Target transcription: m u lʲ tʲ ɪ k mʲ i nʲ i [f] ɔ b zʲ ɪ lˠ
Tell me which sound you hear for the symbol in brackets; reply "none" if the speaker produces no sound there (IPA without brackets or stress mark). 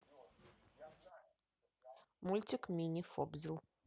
f